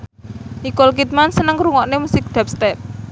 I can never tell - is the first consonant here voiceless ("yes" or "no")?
yes